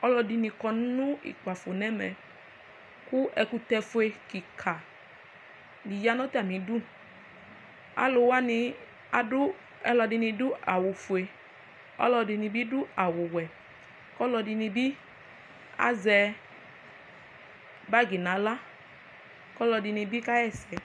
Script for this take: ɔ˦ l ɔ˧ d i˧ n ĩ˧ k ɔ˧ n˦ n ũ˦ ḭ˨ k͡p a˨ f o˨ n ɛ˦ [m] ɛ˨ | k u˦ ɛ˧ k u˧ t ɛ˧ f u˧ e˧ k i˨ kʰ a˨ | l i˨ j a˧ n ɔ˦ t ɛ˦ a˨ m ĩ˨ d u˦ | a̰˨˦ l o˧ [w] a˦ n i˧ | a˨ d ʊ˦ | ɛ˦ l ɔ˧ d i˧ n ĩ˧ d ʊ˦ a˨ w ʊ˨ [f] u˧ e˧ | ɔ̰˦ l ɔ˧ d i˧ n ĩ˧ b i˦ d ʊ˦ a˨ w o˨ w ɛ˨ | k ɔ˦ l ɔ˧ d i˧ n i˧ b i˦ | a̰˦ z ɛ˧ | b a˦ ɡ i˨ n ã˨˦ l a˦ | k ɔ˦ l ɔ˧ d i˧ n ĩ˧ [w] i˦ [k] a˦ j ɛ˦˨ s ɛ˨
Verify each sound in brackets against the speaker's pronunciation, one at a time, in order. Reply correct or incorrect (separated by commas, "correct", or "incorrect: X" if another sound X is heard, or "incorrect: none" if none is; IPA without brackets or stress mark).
correct, correct, correct, incorrect: b, correct